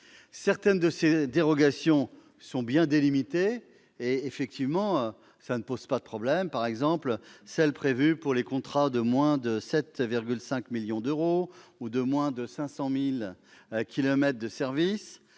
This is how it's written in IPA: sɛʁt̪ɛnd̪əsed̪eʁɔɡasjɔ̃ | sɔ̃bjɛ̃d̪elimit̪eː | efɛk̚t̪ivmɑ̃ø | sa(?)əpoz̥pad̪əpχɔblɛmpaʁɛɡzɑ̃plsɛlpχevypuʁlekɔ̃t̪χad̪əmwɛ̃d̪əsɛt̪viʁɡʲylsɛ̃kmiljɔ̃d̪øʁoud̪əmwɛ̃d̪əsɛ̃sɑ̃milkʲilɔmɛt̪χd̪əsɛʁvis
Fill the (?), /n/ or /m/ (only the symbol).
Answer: n